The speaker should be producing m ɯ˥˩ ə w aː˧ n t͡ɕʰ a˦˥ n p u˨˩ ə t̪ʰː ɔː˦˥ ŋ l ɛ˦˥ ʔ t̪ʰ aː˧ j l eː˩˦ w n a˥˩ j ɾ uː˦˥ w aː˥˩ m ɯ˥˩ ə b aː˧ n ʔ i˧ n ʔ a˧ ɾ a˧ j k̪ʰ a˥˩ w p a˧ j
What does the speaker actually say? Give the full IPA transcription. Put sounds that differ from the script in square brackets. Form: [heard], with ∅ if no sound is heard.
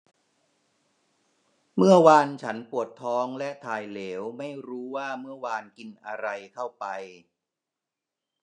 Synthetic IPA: m ɯ˥˩ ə w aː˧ n t͡ɕʰ a˦˥ n p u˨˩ ə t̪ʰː ɔː˦˥ ŋ l ɛ˦˥ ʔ t̪ʰ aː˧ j l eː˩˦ w [m] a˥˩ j ɾ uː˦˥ w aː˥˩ m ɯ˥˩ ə [w] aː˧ n [k] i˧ n ʔ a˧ ɾ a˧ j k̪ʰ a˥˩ w p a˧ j

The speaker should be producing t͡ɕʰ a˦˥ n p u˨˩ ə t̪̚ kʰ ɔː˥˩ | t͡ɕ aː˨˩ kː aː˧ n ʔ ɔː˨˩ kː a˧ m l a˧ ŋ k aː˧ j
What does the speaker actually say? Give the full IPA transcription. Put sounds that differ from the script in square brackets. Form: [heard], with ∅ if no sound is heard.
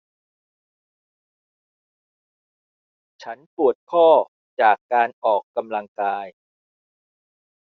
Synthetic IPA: t͡ɕʰ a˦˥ n p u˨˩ ə t̪̚ kʰ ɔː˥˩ | t͡ɕ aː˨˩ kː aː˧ n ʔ ɔː˨˩ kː a˧ m l a˧ ŋ k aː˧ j

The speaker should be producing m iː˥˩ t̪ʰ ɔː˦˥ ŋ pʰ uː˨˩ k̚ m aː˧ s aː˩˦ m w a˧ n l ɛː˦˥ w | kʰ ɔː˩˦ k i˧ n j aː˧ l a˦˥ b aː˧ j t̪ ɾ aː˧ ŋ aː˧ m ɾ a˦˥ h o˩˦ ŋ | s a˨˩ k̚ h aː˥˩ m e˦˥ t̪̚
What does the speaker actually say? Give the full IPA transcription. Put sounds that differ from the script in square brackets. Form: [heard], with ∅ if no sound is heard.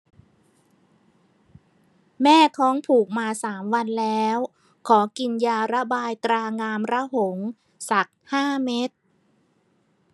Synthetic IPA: m [ɛː˥˩] t̪ʰ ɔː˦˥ ŋ pʰ uː˨˩ k̚ m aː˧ s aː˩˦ m w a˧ n l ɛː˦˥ w | kʰ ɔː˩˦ k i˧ n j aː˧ [ɾ] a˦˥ b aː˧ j t̪ ɾ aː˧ ŋ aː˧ m ɾ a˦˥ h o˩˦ ŋ | s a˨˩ k̚ h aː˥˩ m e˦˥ t̪̚

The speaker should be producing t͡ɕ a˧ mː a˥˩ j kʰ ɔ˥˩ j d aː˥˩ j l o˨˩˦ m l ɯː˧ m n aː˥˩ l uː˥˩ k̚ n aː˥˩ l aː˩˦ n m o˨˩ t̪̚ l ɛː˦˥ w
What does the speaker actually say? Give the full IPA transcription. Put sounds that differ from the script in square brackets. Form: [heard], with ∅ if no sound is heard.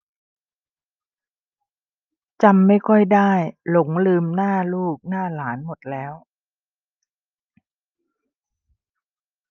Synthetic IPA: t͡ɕ a˧ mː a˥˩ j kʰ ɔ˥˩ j d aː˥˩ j l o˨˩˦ [ŋ] l ɯː˧ m n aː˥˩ l uː˥˩ k̚ n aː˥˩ l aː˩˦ n m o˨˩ t̪̚ l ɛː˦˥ w

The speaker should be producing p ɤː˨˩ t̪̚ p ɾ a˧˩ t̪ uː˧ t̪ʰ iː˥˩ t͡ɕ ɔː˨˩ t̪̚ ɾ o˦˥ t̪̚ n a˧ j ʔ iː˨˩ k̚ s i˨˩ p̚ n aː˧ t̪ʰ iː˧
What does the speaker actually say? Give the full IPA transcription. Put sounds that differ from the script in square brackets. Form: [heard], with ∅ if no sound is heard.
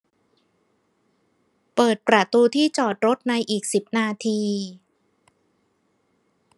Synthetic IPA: p ɤː˨˩ t̪̚ p ɾ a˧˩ t̪ uː˧ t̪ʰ iː˥˩ t͡ɕ ɔː˨˩ t̪̚ ɾ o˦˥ t̪̚ n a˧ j ʔ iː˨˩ k̚ s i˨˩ p̚ n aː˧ t̪ʰ iː˧

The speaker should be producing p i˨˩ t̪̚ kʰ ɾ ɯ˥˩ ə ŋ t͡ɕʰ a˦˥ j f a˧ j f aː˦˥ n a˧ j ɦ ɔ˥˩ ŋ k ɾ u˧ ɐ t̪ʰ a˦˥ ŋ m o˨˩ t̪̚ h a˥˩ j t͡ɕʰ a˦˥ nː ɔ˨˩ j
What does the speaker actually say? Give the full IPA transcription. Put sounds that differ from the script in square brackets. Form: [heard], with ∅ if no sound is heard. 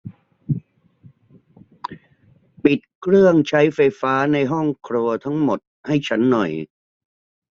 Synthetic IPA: p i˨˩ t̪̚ kʰ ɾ ɯ˥˩ ə ŋ t͡ɕʰ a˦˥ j f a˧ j f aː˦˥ n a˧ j ɦ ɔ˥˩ ŋ [kʰ] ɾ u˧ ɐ t̪ʰ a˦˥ ŋ m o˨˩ t̪̚ h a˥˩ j t͡ɕʰ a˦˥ nː ɔ˨˩ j

